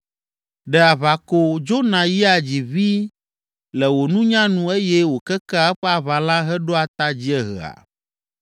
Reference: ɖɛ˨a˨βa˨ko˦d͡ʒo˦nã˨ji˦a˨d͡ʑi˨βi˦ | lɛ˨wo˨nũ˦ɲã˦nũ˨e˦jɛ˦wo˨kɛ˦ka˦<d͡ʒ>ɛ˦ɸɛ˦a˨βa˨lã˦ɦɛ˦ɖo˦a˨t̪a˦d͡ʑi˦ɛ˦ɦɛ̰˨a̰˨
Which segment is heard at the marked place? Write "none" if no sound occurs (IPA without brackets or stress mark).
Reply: none